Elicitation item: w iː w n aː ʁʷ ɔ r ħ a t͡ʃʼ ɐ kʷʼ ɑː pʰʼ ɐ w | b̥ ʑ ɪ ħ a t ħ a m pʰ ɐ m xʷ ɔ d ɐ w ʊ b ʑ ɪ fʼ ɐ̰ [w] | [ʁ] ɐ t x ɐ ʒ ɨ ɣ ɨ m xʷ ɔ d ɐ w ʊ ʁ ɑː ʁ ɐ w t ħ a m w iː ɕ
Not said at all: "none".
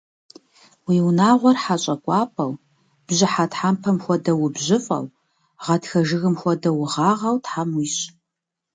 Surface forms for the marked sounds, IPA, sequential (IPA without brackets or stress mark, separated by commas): w, ʁ